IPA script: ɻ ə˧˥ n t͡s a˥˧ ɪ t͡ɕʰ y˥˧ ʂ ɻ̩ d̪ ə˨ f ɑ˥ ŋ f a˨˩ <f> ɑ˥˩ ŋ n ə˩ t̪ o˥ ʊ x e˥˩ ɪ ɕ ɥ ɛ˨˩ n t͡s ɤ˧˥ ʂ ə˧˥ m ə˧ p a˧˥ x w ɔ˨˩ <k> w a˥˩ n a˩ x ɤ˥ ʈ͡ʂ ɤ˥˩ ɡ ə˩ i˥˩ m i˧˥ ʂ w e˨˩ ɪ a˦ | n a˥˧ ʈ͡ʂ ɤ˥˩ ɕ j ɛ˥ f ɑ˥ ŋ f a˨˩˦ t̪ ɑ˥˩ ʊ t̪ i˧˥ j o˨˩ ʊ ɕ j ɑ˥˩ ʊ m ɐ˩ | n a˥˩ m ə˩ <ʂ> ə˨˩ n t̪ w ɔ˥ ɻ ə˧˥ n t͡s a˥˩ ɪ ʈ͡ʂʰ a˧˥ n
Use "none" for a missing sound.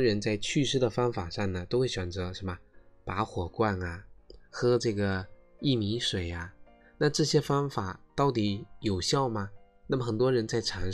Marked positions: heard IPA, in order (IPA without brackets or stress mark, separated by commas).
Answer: ʂ, k, x